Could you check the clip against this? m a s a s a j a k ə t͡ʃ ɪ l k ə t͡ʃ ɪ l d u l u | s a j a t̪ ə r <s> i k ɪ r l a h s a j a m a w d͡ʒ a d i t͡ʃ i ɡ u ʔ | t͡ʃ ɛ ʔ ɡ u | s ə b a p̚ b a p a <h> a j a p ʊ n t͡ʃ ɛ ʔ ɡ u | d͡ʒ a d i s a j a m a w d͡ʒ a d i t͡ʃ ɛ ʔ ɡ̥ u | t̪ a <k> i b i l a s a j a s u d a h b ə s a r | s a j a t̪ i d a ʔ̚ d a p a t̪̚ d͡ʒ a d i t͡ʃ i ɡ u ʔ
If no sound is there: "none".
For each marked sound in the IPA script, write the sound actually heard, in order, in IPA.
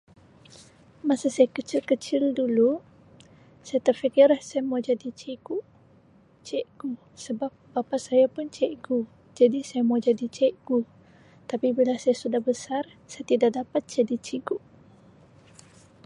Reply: f, s, p

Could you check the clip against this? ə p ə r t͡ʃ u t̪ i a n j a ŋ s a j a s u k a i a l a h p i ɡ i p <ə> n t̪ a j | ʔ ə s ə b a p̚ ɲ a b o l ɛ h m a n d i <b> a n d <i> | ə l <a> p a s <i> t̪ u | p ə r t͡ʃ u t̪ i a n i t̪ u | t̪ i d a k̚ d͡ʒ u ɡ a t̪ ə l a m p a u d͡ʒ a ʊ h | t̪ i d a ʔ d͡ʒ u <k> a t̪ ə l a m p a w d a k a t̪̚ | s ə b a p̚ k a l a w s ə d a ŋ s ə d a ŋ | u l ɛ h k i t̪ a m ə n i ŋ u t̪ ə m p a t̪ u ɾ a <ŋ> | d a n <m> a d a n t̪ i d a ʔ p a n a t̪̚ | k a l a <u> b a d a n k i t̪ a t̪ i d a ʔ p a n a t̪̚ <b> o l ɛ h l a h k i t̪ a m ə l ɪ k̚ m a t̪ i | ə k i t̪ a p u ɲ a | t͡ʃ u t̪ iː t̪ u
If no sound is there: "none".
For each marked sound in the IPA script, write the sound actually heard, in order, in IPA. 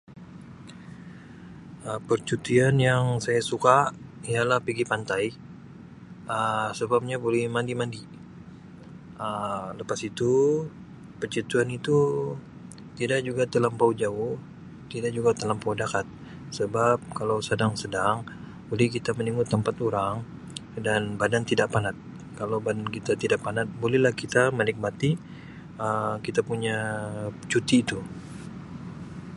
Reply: a, m, i, ə, i, ɡ, ŋ, b, w, b

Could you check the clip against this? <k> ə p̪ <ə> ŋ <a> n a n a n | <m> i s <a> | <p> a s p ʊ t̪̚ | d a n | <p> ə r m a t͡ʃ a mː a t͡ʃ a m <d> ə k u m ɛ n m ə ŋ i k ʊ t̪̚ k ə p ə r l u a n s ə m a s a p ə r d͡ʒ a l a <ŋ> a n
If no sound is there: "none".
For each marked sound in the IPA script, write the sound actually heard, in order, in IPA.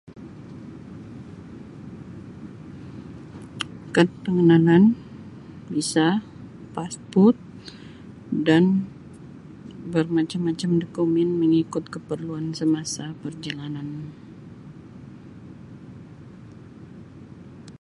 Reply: k, ə, ə, b, a, p, b, d, n

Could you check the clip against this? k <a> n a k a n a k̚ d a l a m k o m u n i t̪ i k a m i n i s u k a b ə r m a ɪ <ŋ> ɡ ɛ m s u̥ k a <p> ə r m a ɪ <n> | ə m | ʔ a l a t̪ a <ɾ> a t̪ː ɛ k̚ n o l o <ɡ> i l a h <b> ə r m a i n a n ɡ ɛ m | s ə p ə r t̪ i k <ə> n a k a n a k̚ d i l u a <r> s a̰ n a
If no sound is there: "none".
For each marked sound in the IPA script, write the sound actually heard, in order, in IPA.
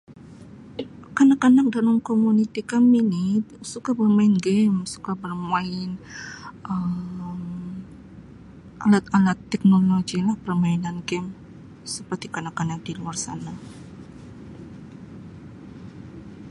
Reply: a, n, b, n, l, ɡ, p, a, r

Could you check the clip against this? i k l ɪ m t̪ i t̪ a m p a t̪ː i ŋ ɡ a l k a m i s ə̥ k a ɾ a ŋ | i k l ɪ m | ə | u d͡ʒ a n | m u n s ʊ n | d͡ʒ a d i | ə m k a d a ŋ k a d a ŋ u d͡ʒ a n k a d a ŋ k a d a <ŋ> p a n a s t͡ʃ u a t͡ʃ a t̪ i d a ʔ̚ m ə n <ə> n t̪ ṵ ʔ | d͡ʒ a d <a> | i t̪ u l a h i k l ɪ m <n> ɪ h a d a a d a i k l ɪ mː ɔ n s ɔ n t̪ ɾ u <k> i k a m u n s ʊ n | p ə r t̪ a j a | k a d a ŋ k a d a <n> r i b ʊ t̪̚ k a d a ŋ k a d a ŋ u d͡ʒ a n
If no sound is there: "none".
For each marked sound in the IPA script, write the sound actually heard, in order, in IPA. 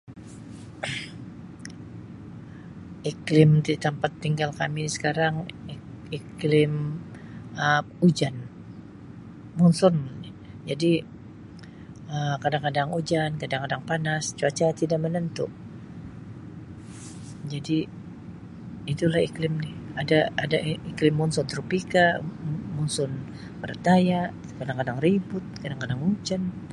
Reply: ŋ, ə, i, n, p, ŋ

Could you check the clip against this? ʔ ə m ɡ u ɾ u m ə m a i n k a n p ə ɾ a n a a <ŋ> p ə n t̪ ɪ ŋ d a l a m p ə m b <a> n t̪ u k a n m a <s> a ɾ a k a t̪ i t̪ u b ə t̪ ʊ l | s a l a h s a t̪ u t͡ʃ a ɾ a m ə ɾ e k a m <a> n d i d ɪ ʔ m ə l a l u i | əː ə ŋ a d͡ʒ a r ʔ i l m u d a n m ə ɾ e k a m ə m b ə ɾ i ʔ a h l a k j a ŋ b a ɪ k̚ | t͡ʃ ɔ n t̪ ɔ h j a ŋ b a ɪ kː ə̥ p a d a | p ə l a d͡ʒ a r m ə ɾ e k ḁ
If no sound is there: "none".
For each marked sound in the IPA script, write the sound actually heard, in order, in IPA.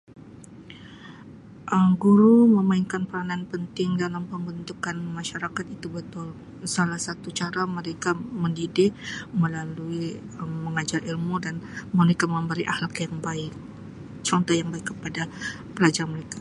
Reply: n, ə, ʃ, ə

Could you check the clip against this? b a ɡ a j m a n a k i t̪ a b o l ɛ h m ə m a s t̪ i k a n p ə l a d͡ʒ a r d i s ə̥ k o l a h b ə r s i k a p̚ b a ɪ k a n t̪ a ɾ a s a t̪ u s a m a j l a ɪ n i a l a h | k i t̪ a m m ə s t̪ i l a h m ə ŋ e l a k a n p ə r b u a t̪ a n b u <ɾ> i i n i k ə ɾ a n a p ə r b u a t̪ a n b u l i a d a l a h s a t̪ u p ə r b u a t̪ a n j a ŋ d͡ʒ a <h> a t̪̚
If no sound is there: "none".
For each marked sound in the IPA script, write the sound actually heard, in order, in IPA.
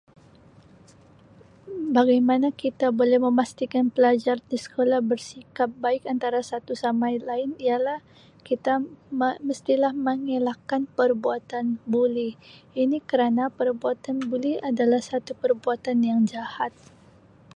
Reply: l, h

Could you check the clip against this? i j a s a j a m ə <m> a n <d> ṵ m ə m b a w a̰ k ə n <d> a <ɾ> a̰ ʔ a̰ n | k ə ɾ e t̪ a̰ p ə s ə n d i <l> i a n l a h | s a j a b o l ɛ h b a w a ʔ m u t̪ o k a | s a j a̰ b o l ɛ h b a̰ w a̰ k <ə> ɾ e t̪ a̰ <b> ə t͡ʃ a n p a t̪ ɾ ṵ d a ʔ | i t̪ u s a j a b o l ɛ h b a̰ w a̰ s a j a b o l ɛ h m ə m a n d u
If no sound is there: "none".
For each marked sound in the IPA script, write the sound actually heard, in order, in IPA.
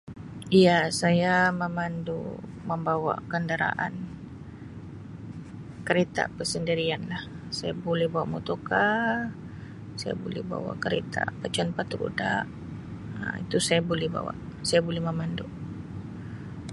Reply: m, d, d, ɾ, ɾ, ə, p

